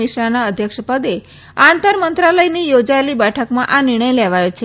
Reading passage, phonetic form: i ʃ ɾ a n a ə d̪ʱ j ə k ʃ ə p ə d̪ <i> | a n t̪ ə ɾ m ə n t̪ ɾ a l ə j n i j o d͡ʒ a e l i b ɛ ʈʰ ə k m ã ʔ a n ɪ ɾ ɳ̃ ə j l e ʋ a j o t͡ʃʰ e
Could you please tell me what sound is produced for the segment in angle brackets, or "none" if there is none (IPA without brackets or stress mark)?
e